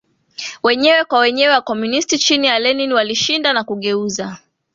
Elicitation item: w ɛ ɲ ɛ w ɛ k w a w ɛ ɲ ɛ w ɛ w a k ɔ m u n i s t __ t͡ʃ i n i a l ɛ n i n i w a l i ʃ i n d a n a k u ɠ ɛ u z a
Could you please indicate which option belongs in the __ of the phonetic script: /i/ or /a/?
i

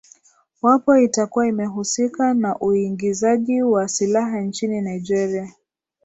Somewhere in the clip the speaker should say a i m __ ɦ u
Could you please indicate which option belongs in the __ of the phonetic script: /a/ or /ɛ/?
ɛ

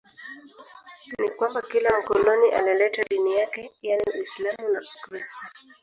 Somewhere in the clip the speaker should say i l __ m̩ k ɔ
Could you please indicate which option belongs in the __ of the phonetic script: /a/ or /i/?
a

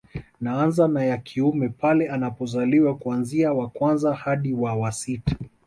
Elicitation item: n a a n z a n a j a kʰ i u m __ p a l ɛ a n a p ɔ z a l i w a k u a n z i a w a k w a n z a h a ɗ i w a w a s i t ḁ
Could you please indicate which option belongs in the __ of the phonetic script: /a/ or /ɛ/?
ɛ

